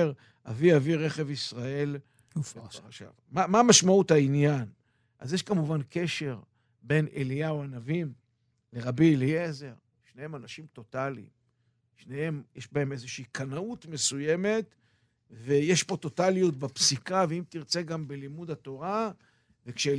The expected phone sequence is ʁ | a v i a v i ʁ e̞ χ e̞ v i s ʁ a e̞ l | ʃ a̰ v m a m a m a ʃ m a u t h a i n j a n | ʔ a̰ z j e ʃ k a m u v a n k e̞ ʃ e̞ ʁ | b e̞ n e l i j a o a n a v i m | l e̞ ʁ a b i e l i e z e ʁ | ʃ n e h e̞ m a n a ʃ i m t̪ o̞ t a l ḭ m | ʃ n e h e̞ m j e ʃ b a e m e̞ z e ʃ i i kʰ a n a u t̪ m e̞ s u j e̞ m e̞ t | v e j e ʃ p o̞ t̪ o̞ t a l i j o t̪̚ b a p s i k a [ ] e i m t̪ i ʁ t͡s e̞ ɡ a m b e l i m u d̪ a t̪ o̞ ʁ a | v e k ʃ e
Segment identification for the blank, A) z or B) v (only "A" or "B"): B